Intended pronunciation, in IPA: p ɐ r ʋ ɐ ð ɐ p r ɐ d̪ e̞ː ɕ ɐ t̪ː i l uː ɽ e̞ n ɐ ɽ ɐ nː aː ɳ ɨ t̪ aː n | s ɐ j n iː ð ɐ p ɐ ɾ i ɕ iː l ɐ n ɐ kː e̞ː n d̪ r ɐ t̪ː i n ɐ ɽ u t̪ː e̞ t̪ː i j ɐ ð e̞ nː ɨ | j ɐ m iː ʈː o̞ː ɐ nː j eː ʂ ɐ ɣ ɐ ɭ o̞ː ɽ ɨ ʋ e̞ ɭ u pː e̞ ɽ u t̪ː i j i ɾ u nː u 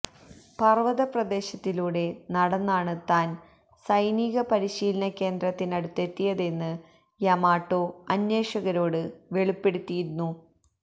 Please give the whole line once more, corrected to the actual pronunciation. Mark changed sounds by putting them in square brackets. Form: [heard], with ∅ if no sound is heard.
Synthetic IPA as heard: p ɐ r ʋ ɐ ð ɐ p r ɐ d̪ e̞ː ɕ ɐ t̪ː i l uː ɽ e̞ n ɐ ɽ ɐ nː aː ɳ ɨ t̪ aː n | s ɐ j n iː [ɣ] ɐ p ɐ ɾ i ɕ iː l ɐ n ɐ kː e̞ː n d̪ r ɐ t̪ː i n ɐ ɽ u t̪ː e̞ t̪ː i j ɐ ð e̞ nː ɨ | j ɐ m [aː] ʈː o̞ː ɐ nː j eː ʂ ɐ ɣ ɐ [ɾ] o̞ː ɽ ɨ ʋ e̞ ɭ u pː e̞ ɽ u t̪ː i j i ɾ u nː u

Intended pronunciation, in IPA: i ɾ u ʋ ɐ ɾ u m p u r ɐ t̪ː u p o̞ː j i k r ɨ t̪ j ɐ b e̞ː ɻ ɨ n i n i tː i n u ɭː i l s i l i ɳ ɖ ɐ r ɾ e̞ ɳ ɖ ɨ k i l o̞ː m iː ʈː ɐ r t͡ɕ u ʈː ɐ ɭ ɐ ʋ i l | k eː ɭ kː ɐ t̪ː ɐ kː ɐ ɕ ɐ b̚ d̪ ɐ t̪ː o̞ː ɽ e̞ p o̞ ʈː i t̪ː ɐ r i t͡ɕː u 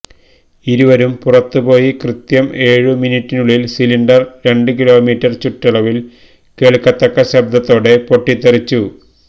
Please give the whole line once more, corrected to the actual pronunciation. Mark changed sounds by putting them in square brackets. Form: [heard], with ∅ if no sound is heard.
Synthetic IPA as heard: i ɾ u ʋ ɐ ɾ u m p u r ɐ t̪ː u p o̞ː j i k r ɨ t̪ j ɐ [m] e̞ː ɻ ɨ [m] i n i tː i n u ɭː i l s i l i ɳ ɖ ɐ r ɾ e̞ ɳ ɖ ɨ k i l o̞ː m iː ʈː ɐ r t͡ɕ u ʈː ɐ ɭ ɐ ʋ i l | k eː ɭ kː ɐ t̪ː ɐ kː ɐ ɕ ɐ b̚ d̪ ɐ t̪ː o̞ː ɽ e̞ p o̞ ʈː i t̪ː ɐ r i t͡ɕː u

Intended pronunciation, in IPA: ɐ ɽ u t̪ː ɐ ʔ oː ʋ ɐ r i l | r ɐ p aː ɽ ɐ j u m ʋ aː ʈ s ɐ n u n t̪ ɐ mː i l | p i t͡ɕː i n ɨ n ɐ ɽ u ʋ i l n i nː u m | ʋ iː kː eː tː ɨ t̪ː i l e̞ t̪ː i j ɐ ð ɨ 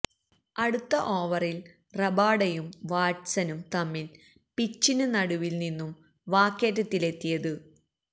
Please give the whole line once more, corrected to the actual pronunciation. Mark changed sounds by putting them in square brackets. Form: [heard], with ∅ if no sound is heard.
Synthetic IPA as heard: ɐ ɽ u t̪ː ɐ ʔ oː ʋ ɐ r i l | r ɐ [b] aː ɽ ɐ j u m ʋ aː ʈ s ɐ n u [m] t̪ ɐ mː i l | p i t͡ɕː i n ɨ n ɐ ɽ u ʋ i l n i nː u m | ʋ [aː] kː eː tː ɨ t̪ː i l e̞ t̪ː i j ɐ ð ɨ

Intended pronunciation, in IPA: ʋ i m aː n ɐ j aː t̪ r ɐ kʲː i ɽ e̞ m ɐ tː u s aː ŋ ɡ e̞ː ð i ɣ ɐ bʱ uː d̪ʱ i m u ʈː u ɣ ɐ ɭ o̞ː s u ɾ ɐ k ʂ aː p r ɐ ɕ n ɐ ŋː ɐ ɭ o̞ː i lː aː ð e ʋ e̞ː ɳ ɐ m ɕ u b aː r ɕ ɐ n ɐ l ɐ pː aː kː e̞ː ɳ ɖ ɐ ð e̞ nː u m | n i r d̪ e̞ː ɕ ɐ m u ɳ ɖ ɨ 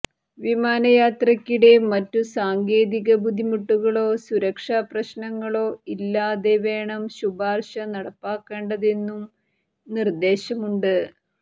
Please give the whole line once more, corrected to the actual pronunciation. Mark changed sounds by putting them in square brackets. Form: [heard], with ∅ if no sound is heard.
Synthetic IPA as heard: ʋ i m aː n ɐ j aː t̪ r ɐ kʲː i ɽ e̞ m ɐ tː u s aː ŋ ɡ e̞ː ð i ɣ ɐ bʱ [u] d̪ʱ i m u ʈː u ɣ ɐ ɭ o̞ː s u ɾ ɐ k ʂ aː p r ɐ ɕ n ɐ ŋː ɐ ɭ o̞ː i lː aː ð e ʋ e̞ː ɳ ɐ m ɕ u b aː r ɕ ɐ n ɐ [ɽ] ɐ pː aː kː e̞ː ɳ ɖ ɐ ð e̞ nː u m | n i r d̪ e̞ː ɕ ɐ m u ɳ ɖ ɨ

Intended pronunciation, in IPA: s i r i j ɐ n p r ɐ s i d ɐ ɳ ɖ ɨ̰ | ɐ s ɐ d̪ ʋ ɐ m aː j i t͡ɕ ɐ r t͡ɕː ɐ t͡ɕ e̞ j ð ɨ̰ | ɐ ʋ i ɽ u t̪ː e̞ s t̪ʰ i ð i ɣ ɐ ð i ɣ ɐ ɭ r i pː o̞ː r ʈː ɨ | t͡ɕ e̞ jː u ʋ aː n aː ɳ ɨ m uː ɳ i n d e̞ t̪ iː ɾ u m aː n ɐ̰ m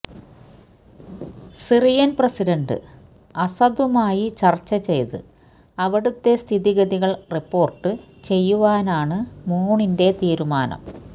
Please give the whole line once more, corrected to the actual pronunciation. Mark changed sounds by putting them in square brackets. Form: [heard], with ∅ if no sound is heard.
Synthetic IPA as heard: s i r i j ɐ n p r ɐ s i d ɐ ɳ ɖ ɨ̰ | ɐ s ɐ d̪ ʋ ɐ m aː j i t͡ɕ ɐ r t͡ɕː ɐ t͡ɕ e̞ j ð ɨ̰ | ɐ ʋ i ɽ u t̪ː e̞ s t̪ʰ i ð i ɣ ɐ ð i ɣ ɐ ɭ r i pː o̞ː r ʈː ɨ | t͡ɕ e̞ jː u ʋ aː n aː ɳ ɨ m uː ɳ i n d e̞ t̪ iː ɾ u m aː n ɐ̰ m

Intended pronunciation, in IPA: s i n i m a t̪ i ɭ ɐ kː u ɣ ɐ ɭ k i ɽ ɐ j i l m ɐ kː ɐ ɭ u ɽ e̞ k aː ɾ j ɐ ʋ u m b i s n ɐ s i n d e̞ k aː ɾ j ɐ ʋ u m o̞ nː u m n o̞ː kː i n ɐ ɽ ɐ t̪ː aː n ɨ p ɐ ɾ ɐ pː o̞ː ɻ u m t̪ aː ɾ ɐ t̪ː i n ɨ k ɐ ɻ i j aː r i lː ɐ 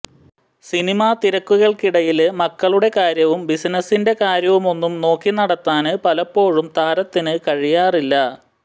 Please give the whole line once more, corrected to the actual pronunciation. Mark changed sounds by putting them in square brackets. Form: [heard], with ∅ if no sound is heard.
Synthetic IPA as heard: s i n i m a t̪ i [ɾ] ɐ kː u ɣ ɐ ɭ k i ɽ ɐ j i l m ɐ kː ɐ ɭ u ɽ e̞ k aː ɾ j ɐ ʋ u m b i s n ɐ s i n d e̞ k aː ɾ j ɐ ʋ u m o̞ nː u m n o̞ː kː i n ɐ ɽ ɐ t̪ː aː n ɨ p ɐ [l] ɐ pː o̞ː ɻ u m t̪ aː ɾ ɐ t̪ː i n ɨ k ɐ ɻ i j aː r i lː ɐ

